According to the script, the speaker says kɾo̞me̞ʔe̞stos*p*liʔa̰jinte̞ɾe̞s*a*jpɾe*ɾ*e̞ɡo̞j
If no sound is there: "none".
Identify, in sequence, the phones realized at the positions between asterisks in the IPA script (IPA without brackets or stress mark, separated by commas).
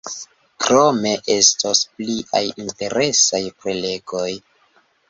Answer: p, a, l